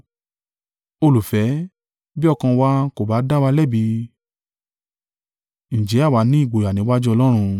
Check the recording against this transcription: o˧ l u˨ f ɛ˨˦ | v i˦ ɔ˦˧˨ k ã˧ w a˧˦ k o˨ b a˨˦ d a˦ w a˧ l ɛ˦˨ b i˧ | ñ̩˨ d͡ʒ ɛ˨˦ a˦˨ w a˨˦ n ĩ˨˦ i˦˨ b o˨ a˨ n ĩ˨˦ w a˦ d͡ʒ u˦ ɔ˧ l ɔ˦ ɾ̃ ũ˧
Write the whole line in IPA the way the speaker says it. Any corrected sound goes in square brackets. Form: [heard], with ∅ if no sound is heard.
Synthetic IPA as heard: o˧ l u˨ f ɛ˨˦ | [b] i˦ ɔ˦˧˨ k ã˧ w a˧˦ k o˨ b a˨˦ d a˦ w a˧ l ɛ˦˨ b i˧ | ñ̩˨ d͡ʒ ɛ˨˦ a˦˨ w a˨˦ n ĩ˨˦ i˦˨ [ɡ͡b] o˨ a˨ n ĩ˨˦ w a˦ d͡ʒ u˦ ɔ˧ l ɔ˦ ɾ̃ ũ˧